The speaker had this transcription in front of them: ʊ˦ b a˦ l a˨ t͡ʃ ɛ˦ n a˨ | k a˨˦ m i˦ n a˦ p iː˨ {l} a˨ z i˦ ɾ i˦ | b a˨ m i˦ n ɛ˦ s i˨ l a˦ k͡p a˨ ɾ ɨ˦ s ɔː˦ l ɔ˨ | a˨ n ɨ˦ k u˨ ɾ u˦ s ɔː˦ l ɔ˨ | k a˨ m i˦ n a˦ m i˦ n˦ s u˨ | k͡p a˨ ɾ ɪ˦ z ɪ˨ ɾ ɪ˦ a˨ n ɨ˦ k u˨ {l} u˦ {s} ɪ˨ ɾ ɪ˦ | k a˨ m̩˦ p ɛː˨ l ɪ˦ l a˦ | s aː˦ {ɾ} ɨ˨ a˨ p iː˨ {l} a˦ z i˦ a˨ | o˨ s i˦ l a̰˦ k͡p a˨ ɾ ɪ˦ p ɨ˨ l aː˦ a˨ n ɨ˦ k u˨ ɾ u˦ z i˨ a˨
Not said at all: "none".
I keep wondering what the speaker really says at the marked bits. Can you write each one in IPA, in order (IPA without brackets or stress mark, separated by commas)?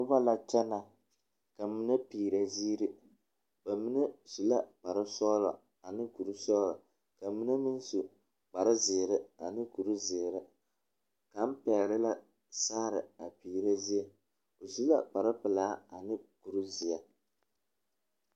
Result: ɾ, ɾ, z, ɾ, ɾ